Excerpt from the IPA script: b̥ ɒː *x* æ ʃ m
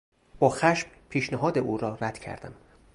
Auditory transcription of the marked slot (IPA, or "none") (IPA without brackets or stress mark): x